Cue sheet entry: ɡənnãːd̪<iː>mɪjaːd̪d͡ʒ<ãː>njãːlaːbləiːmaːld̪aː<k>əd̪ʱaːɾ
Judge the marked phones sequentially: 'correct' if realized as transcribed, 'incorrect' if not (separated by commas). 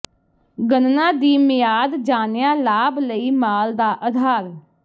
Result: correct, incorrect, incorrect